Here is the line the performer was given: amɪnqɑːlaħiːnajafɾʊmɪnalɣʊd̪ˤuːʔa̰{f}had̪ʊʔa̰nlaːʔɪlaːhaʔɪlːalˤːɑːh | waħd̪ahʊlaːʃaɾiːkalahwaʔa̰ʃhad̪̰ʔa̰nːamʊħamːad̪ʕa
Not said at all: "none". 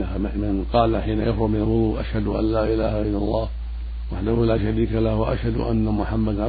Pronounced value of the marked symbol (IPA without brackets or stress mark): ʃ